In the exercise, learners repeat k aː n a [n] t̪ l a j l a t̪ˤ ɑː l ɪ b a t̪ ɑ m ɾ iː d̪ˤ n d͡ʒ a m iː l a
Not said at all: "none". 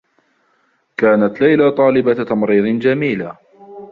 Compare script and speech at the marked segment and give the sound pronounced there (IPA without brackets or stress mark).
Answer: none